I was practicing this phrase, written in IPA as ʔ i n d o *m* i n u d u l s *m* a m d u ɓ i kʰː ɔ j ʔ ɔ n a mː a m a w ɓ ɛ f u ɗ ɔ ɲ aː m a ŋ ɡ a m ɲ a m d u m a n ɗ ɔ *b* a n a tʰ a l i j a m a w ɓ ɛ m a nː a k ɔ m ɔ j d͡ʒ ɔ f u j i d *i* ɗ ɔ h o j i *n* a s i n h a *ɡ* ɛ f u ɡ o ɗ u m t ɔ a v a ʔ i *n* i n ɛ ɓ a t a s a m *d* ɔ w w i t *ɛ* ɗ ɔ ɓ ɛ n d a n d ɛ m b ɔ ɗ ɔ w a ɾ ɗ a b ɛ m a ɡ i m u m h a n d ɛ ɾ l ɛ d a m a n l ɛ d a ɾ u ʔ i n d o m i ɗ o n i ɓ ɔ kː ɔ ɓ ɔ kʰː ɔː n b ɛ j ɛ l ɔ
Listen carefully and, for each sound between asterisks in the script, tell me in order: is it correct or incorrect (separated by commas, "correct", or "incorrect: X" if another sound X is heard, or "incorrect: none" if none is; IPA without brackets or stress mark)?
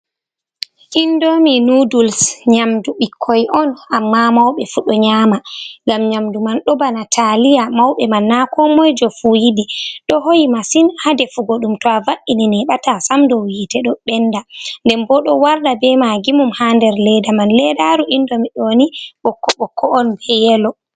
correct, incorrect: ɲ, correct, correct, incorrect: m, incorrect: d, correct, correct, correct